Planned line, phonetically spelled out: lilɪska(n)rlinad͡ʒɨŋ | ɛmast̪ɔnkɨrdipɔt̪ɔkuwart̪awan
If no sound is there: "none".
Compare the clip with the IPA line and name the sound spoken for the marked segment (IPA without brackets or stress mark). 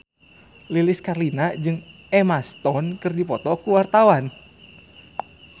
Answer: none